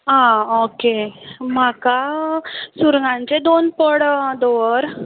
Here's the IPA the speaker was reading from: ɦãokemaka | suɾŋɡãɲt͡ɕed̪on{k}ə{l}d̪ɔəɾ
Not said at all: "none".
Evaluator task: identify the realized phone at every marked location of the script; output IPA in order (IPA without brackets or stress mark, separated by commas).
p, ɽ